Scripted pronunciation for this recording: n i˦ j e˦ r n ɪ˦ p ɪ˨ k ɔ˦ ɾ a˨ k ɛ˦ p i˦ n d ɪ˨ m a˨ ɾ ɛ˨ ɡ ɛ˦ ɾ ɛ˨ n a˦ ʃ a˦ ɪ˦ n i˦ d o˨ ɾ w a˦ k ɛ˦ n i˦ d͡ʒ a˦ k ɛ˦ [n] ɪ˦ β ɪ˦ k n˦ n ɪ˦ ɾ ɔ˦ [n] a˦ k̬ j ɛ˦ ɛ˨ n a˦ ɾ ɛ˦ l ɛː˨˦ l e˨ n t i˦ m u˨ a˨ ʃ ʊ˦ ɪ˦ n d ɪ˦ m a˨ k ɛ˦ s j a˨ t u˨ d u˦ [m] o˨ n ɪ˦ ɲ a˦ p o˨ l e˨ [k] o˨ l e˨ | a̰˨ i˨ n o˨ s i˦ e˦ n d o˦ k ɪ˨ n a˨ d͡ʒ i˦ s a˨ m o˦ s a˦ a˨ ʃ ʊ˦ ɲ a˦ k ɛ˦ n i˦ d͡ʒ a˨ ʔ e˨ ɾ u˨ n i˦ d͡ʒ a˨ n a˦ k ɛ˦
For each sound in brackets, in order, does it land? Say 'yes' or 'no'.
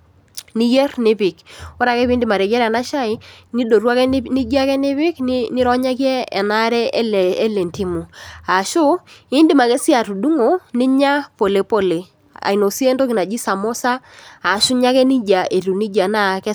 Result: yes, no, no, no

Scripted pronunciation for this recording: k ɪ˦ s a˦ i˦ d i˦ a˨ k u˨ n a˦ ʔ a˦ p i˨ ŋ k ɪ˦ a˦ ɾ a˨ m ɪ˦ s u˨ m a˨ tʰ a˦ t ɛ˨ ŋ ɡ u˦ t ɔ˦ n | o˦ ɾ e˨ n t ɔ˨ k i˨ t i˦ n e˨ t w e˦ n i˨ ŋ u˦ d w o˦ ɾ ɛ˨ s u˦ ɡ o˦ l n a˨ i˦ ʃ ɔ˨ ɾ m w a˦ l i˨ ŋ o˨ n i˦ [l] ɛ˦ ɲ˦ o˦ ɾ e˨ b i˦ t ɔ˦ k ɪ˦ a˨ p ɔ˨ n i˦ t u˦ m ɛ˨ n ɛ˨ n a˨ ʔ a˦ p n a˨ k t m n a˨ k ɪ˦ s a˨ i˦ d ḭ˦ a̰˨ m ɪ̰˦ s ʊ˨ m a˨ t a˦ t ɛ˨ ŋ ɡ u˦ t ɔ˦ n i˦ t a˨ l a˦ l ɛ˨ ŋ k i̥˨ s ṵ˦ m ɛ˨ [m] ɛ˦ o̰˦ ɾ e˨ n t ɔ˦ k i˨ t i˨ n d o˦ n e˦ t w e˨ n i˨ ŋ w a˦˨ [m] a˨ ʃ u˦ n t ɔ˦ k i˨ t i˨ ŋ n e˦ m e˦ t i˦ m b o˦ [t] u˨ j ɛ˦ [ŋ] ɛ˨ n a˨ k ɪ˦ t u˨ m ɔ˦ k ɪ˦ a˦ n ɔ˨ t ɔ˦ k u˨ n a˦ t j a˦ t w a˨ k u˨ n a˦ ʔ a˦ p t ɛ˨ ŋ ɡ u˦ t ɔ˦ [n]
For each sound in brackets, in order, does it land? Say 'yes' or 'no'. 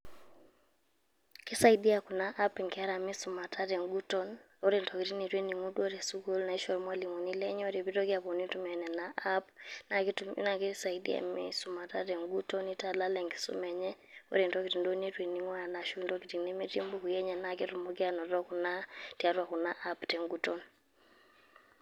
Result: yes, no, no, no, no, yes

